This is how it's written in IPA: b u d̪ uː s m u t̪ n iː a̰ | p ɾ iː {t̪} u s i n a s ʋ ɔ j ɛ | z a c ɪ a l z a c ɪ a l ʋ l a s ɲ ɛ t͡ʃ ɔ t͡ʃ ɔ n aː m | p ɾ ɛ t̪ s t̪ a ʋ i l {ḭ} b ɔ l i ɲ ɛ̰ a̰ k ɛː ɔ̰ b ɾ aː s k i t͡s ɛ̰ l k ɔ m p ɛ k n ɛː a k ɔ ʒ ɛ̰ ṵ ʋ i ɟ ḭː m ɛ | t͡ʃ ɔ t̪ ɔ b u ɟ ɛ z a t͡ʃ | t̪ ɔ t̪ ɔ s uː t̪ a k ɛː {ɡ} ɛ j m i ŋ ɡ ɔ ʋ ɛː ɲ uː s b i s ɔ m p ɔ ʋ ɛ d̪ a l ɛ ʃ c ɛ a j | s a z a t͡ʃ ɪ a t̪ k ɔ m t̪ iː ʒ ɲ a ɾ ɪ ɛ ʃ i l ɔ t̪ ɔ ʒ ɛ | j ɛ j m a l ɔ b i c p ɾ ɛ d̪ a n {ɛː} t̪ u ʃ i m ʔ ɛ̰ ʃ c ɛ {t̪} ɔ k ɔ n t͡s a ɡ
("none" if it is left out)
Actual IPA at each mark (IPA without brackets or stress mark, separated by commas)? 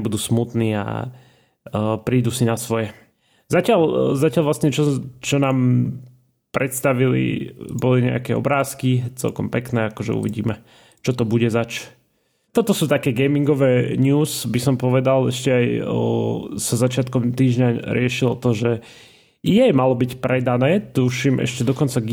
d̪, ḭ, ɡ, ɛː, d̪